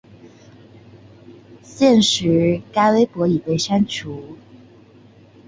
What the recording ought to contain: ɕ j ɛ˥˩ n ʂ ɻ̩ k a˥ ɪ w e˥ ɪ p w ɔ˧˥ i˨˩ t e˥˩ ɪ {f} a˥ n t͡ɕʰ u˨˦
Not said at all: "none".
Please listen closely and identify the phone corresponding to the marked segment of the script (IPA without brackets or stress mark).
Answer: ʂ